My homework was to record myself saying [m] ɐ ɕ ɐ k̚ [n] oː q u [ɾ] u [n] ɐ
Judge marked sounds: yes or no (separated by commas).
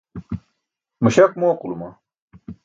yes, no, no, no